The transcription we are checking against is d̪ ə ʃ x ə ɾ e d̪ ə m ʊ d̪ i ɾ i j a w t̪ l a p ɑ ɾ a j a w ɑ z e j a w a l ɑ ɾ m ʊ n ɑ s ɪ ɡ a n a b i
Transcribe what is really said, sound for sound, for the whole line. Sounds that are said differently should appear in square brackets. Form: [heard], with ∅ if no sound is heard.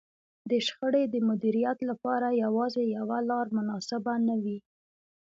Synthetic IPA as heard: d̪ ə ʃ x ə [ɽ] e d̪ ə m ʊ d̪ i ɾ i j a [∅] t̪ l a p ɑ ɾ a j a w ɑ z e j a w a l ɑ ɾ m ʊ n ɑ s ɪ [b] a n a [w] i